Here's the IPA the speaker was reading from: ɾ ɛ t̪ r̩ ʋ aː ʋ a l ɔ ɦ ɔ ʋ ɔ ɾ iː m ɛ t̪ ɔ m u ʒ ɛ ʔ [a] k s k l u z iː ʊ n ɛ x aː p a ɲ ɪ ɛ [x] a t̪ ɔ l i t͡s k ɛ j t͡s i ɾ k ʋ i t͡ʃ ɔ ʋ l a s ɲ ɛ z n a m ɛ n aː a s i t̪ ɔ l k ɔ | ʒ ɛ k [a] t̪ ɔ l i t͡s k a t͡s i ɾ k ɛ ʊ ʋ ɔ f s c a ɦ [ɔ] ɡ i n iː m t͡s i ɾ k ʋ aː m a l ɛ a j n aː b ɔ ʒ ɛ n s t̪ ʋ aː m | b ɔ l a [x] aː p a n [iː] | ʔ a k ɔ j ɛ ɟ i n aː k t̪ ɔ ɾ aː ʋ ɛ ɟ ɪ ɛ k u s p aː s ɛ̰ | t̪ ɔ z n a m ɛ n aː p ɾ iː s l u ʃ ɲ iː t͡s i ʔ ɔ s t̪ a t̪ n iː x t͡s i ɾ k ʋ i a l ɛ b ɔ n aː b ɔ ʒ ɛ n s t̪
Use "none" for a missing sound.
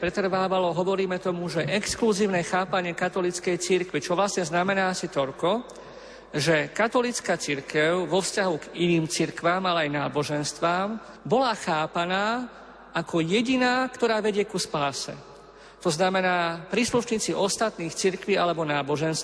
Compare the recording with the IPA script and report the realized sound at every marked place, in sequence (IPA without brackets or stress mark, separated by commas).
ɛ, k, a, u, x, aː